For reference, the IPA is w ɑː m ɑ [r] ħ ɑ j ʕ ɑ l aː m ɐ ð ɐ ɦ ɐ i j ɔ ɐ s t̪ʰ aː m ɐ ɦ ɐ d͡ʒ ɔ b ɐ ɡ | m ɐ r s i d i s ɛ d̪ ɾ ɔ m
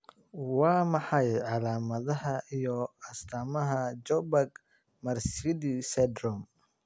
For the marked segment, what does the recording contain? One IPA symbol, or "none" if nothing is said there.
none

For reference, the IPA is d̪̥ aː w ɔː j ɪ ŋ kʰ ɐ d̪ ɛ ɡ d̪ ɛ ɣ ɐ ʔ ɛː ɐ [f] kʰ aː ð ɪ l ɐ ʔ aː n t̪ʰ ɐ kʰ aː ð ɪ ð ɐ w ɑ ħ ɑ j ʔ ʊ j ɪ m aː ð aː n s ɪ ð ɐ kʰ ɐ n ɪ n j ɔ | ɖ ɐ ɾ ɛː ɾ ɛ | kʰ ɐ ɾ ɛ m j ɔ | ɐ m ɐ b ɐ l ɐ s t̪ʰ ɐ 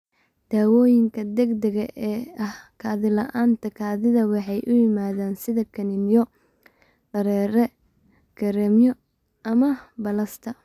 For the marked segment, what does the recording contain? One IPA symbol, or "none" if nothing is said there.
h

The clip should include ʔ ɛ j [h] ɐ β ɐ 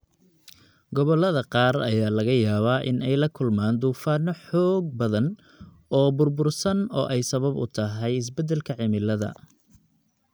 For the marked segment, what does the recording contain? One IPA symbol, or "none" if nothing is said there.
s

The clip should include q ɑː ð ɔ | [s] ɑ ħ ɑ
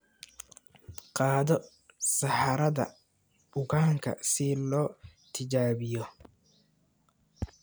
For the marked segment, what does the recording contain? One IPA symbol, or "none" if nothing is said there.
s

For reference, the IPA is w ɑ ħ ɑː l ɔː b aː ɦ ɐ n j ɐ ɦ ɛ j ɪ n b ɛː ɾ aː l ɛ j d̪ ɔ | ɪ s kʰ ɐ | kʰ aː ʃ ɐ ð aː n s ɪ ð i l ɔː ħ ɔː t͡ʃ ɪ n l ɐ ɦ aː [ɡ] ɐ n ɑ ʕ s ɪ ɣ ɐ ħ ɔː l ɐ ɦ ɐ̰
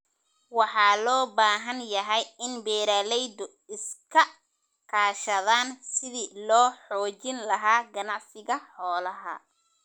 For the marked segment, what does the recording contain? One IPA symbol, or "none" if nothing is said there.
ɡ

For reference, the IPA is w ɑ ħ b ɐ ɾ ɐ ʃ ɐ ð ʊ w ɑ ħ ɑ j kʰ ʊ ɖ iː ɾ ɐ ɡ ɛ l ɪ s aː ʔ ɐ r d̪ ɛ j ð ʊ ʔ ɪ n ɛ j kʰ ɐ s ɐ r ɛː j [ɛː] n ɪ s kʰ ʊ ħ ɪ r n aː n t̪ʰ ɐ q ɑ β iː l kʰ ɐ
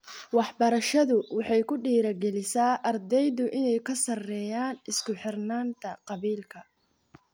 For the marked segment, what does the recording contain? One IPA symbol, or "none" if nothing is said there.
aː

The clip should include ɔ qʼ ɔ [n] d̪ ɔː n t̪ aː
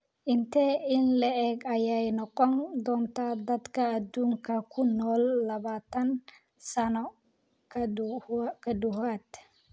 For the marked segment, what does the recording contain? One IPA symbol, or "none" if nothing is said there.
n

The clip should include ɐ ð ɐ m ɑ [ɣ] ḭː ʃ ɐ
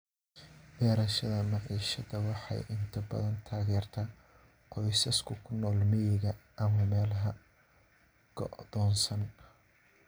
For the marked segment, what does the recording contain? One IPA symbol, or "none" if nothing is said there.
ʕ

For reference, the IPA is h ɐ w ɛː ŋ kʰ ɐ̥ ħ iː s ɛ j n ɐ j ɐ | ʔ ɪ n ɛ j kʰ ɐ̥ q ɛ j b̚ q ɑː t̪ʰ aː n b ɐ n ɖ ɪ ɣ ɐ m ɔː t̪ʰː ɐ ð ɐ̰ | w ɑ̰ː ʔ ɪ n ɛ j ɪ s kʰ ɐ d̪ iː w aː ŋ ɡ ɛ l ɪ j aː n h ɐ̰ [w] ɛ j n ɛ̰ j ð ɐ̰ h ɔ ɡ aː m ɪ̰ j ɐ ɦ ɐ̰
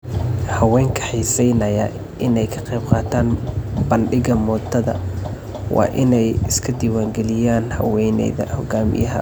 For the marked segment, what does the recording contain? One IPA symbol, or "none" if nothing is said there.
w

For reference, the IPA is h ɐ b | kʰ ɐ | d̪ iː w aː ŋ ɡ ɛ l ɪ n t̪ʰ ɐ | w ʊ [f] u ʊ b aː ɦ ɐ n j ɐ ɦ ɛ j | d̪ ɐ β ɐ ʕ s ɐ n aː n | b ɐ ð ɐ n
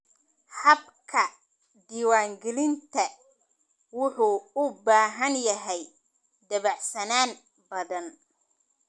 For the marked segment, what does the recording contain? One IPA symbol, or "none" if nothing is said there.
ħ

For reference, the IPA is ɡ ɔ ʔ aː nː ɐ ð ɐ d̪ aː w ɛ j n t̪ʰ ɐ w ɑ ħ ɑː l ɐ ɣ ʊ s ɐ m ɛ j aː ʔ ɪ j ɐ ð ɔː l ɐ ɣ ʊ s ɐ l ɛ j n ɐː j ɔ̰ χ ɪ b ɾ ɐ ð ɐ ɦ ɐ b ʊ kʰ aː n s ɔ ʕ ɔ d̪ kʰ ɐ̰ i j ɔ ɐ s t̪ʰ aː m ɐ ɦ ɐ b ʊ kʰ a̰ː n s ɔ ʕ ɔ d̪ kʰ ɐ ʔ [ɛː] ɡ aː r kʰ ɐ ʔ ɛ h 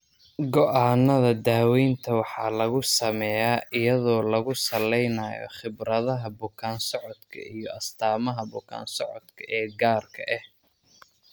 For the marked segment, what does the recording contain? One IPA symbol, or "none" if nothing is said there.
ɛː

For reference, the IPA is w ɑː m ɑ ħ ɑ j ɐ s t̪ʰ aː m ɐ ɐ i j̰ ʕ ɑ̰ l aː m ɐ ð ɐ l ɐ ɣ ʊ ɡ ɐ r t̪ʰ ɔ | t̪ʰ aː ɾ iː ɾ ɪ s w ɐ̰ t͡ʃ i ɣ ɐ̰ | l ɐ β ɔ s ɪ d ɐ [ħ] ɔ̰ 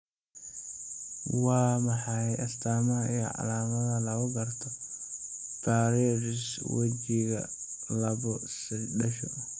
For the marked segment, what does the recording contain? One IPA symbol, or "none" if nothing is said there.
ʃ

